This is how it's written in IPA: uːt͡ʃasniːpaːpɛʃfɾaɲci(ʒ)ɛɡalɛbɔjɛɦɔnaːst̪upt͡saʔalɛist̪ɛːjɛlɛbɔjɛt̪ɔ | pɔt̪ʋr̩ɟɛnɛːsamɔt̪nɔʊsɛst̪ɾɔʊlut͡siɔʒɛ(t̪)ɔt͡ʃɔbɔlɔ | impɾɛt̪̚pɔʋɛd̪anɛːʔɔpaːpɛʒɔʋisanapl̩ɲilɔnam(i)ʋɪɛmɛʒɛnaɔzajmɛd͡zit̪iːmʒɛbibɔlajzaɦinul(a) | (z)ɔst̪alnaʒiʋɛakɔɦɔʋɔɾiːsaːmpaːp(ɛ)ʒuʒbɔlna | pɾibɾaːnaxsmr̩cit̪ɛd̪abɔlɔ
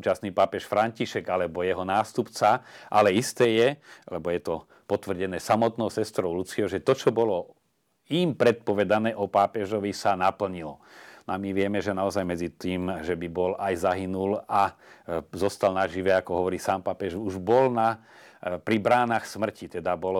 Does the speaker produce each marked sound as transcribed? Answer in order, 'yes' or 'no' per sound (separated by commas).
no, yes, yes, yes, yes, yes